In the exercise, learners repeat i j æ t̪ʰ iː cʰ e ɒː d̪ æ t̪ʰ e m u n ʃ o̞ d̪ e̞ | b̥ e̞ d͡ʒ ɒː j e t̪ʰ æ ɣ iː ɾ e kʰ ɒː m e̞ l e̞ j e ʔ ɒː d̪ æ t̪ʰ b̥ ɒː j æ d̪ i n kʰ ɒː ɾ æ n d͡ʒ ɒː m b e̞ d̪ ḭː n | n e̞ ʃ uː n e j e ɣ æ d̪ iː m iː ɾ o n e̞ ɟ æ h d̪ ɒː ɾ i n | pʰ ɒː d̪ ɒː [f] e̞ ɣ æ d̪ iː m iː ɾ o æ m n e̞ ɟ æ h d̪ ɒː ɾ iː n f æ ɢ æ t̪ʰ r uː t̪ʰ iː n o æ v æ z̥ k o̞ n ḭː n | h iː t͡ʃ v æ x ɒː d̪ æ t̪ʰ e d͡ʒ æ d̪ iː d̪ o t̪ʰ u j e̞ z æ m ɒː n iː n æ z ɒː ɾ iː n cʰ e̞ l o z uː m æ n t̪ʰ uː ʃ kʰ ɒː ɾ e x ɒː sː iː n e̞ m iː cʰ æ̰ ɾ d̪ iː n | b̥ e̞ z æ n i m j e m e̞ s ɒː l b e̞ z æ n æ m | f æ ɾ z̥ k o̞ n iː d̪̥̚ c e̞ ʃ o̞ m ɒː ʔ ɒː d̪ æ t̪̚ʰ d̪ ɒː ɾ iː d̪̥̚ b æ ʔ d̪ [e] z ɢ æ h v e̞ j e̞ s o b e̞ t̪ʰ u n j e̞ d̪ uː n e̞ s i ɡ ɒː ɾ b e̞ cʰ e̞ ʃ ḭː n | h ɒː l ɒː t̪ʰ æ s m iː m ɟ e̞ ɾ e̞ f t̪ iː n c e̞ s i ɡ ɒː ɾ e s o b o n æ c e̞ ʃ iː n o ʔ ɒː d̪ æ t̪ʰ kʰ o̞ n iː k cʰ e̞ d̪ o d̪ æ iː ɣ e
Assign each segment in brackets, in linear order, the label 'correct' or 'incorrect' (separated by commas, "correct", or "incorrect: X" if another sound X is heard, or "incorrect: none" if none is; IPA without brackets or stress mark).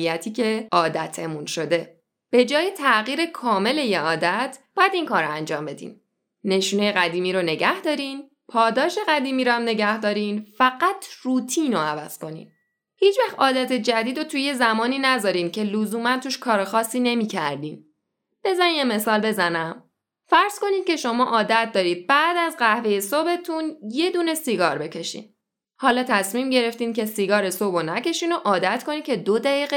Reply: incorrect: ʃ, incorrect: æ